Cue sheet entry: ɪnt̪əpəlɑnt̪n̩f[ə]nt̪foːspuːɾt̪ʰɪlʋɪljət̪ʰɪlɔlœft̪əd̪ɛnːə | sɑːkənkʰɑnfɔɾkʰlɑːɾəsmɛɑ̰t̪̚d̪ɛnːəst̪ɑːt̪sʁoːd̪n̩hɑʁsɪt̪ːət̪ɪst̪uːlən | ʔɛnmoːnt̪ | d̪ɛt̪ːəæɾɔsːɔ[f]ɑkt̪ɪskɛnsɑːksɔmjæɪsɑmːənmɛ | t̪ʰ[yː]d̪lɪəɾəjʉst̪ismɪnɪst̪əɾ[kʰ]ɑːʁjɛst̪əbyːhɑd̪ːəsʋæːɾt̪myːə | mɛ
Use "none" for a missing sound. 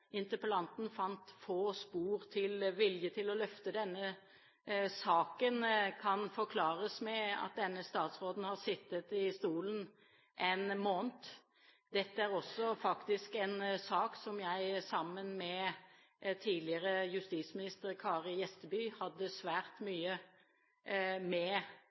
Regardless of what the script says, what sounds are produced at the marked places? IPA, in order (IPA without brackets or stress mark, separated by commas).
ɑ, f, iː, kʰ